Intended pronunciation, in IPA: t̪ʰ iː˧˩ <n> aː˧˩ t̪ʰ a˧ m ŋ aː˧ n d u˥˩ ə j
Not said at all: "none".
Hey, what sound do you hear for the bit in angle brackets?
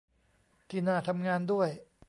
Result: n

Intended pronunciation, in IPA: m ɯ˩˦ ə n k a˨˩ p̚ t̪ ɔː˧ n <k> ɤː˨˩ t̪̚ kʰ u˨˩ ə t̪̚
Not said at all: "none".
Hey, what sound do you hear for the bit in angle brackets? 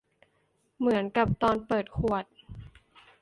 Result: p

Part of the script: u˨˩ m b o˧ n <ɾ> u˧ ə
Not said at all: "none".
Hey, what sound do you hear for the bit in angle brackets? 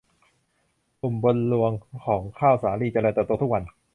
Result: l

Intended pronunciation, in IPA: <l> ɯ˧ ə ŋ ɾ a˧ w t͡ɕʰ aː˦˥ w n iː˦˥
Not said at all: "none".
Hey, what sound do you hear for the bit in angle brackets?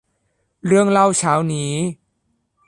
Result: ɾ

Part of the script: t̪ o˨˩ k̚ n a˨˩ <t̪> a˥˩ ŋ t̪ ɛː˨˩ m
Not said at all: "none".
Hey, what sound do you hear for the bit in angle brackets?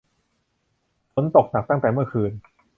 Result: t̪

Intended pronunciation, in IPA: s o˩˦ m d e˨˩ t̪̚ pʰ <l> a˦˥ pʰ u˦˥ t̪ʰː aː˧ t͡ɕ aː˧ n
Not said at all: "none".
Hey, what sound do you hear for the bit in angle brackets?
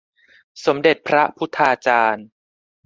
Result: ɾ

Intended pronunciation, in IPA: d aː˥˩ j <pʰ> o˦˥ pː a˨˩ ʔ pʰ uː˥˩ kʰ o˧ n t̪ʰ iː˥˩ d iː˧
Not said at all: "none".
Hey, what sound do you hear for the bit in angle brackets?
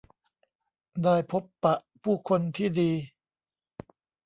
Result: pʰ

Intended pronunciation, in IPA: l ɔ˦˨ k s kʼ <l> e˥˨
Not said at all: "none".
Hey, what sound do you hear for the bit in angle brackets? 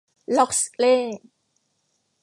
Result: l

